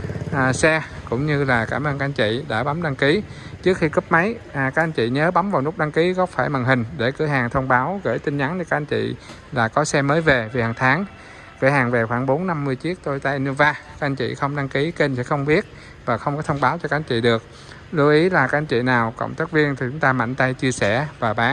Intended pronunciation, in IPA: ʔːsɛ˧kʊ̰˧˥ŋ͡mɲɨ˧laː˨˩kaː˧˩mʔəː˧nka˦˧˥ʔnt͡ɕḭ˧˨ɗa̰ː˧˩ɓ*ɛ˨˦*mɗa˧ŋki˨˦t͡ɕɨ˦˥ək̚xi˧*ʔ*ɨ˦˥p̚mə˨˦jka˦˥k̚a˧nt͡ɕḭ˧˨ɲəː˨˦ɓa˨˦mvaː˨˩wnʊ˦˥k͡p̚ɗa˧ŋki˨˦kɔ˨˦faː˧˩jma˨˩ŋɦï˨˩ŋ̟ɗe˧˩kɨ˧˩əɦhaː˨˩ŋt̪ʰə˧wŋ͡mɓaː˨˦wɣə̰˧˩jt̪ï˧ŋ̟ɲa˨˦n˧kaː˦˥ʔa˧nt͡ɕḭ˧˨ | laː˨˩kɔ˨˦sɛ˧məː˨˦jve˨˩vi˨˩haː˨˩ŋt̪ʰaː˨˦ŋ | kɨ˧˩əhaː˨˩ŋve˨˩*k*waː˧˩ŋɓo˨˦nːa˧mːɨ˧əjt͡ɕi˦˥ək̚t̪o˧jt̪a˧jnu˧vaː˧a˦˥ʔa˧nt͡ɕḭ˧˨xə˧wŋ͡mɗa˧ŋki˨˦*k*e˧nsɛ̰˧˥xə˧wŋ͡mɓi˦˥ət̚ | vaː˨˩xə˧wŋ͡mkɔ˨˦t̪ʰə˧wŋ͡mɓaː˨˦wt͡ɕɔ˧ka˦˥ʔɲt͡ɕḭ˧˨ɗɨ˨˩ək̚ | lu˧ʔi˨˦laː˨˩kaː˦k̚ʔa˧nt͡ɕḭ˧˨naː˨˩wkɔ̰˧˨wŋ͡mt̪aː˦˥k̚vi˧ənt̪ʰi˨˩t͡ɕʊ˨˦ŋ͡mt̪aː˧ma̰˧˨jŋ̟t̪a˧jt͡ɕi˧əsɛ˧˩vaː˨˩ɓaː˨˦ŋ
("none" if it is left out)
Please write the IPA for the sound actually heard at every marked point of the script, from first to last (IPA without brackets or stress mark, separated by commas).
a˨˦, k, x, k